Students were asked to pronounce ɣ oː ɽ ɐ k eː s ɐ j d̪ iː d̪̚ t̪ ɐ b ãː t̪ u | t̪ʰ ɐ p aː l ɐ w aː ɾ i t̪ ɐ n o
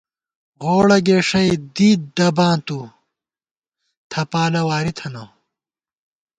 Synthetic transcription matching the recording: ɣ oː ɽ ɐ ɡ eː ʂ ɐ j d̪ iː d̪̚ d̪ ɐ b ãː t̪ u | t̪ʰ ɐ p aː l ɐ w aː ɾ i t̪ʰ ɐ n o